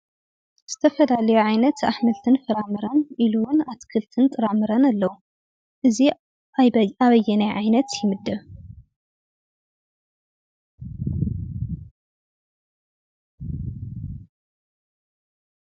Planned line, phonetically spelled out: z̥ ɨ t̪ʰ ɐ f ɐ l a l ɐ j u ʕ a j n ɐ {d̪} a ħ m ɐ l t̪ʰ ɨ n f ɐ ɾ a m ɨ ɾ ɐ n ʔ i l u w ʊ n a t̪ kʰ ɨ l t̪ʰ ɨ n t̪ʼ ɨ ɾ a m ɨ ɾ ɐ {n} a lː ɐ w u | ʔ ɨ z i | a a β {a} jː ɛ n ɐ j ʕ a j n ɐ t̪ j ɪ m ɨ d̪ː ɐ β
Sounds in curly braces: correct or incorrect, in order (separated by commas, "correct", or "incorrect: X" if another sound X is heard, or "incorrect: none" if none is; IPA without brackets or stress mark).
incorrect: t̪, correct, incorrect: ɐ